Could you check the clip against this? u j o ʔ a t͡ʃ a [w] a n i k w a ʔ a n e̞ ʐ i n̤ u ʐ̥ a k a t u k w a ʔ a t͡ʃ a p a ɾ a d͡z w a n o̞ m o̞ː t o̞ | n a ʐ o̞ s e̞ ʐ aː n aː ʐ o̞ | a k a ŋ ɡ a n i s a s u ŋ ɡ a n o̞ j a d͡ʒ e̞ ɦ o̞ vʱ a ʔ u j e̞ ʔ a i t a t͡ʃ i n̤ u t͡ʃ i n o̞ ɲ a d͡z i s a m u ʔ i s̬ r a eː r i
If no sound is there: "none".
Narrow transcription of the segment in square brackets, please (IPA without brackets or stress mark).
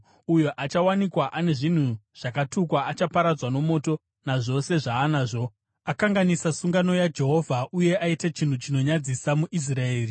w